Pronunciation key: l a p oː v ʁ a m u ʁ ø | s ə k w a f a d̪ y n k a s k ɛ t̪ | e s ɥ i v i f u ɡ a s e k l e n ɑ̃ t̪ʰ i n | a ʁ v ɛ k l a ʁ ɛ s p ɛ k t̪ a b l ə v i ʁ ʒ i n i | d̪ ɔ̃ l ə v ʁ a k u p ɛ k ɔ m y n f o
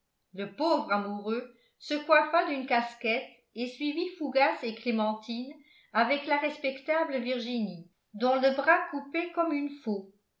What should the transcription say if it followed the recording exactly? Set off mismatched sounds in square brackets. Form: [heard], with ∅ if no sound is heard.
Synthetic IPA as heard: l [ə] p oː v ʁ a m u ʁ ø | s ə k w a f a d̪ y n k a s k ɛ t̪ | e s ɥ i v i f u ɡ a s e k l e [m] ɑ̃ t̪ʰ i n | a [∅] v ɛ k l a ʁ ɛ s p ɛ k t̪ a b l ə v i ʁ ʒ i n i | d̪ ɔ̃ l ə [b] ʁ a k u p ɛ k ɔ m y n f o